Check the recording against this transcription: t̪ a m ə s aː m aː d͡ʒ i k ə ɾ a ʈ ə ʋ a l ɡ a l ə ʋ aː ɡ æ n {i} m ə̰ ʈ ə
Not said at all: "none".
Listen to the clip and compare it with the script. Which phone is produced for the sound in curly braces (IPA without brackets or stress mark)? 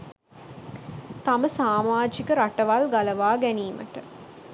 iː